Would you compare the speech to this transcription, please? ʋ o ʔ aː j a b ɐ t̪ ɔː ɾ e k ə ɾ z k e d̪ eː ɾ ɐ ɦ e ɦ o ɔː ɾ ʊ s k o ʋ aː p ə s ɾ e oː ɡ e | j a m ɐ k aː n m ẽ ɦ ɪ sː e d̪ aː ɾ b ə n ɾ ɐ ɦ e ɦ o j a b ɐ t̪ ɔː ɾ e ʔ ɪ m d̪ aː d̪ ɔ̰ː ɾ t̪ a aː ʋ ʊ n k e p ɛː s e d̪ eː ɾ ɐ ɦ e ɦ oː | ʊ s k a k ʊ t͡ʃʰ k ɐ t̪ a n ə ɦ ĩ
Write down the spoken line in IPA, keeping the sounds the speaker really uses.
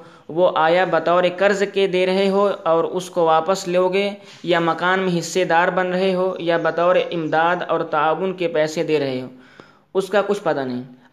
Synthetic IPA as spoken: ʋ o ʔ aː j a b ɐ t̪ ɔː ɾ e k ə ɾ z k e d̪ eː ɾ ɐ ɦ e ɦ o ɔː ɾ ʊ s k o ʋ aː p ə s l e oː ɡ e | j a m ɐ k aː n m ẽ ɦ ɪ sː e d̪ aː ɾ b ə n ɾ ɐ ɦ e ɦ o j a b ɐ t̪ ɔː ɾ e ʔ ɪ m d̪ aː d̪ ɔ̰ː ɾ t̪ a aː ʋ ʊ n k e p ɛː s e d̪ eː ɾ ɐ ɦ e ɦ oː | ʊ s k a k ʊ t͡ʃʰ p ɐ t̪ a n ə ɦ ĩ